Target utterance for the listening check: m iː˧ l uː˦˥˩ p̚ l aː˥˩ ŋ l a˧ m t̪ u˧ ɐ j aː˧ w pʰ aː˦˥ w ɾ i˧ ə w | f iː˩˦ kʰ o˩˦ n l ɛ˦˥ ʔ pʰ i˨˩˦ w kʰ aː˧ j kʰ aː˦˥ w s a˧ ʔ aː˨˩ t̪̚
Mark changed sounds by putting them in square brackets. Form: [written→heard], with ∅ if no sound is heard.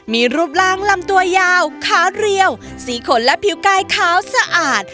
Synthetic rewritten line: m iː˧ [l→ɾ] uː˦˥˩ p̚ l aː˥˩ ŋ l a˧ m t̪ u˧ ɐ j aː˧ w [pʰ→kʰ] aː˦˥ w ɾ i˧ ə w | [f→s] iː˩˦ kʰ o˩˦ n l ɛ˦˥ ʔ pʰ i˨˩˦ w [kʰ→k] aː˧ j kʰ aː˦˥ w s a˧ ʔ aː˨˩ t̪̚